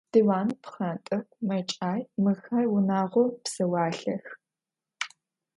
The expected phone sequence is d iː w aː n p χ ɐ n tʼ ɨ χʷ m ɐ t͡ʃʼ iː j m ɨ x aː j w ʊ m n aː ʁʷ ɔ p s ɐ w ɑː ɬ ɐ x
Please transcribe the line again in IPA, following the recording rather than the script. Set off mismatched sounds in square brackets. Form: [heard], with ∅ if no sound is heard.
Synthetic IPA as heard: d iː w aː n p χ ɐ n tʼ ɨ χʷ m ɐ t͡ʃʼ [aː] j m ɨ x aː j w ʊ [∅] n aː ʁʷ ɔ p s ɐ w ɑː ɬ ɐ x